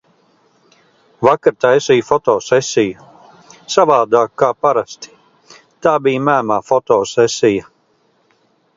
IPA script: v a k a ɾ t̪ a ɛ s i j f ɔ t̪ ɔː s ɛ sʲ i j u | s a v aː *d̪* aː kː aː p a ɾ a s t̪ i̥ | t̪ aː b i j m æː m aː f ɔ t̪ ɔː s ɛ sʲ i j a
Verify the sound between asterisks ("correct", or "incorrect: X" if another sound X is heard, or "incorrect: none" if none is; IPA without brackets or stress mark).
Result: correct